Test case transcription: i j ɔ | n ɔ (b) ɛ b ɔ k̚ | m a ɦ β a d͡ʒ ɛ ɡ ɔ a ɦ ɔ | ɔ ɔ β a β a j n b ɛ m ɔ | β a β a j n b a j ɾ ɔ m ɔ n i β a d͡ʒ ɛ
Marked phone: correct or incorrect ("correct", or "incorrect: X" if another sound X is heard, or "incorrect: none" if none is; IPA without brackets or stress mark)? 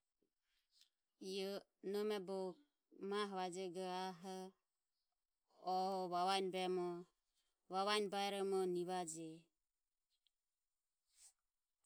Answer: incorrect: m